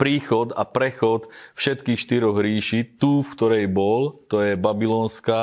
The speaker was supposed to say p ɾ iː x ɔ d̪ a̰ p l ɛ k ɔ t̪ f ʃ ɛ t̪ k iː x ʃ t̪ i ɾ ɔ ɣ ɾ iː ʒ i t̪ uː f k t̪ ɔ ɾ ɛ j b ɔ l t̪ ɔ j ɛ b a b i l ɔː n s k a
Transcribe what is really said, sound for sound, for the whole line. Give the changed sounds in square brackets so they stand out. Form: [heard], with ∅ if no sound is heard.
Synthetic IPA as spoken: p ɾ iː x ɔ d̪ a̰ p [ɾ] ɛ [x] ɔ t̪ f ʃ ɛ t̪ k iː x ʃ t̪ i ɾ ɔ ɣ ɾ iː [ʃ] i t̪ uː f k t̪ ɔ ɾ ɛ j b ɔ l t̪ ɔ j ɛ b a b i l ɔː n s k a